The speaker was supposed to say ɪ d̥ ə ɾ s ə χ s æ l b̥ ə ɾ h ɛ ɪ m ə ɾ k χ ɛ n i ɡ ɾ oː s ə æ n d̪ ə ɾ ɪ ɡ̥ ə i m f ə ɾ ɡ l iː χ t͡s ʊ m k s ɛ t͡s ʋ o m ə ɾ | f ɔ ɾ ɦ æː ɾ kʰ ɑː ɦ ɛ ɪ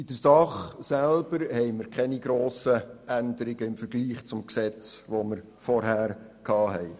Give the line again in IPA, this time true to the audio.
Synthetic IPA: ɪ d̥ ə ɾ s ɑ χ s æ l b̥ ə ɾ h ɛ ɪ m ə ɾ k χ ɛ n i ɡ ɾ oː s ə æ n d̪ ə ɾ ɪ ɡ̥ ə ɪ m f ə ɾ ɡ l iː χ t͡s ʊ m k s ɛ t͡s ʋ o m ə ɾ | f ɔ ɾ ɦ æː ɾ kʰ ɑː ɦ ɛ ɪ

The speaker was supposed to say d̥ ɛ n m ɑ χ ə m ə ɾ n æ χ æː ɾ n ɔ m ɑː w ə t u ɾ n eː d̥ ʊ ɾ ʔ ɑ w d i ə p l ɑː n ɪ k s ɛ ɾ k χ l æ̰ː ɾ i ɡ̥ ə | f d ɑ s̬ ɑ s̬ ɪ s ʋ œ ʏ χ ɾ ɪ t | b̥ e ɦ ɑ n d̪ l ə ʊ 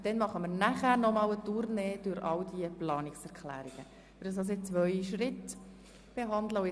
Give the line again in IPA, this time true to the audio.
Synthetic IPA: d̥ ɛ n m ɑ χ ə m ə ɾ n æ χ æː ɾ n ɔ m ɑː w ə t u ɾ n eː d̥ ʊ ɾ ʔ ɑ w d i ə p l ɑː n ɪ k s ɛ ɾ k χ l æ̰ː ɾ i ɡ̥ ə | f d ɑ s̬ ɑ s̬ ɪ t͡s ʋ œ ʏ ʃ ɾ ɪ t | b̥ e ɦ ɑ n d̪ l ə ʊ

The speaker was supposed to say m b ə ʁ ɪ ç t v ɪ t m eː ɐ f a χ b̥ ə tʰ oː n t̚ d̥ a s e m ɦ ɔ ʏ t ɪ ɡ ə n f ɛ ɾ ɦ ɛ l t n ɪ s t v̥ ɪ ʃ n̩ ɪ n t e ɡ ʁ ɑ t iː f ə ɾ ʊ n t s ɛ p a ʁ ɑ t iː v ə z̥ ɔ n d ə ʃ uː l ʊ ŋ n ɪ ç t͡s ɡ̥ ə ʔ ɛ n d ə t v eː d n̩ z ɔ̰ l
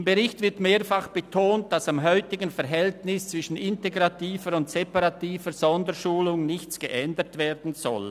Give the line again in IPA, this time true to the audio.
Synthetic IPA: m b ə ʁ ɪ ç t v ɪ t m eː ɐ f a χ b̥ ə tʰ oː n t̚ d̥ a s a m ɦ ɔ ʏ t ɪ ɡ ə n f ɛ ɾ ɦ ɛ l t n ɪ s t͡s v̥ ɪ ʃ n̩ ɪ n t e ɡ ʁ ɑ t iː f ə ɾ ʊ n t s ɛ p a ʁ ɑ t iː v ə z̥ ɔ n d ə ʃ uː l ʊ ŋ n ɪ ç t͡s ɡ̥ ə ʔ ɛ n d ə t v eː d n̩ z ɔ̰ l

